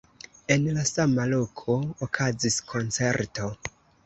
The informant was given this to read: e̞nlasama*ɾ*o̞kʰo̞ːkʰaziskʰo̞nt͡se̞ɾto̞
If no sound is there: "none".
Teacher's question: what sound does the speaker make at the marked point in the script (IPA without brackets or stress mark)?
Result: l